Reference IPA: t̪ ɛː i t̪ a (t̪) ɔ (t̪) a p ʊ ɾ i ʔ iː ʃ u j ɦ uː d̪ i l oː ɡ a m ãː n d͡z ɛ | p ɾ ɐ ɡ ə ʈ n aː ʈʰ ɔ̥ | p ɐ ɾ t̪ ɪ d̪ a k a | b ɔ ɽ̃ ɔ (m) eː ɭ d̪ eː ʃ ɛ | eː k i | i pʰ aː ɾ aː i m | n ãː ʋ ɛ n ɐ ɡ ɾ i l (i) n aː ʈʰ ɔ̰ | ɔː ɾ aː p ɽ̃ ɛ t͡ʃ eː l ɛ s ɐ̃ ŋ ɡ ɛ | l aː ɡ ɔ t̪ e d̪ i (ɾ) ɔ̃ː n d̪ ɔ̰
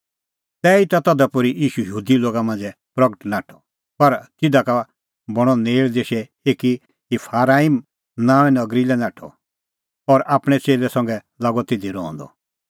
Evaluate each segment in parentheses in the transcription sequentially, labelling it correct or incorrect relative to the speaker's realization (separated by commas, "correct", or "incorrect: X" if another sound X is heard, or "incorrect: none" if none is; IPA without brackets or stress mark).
correct, incorrect: d̪, incorrect: n, incorrect: ɛ, correct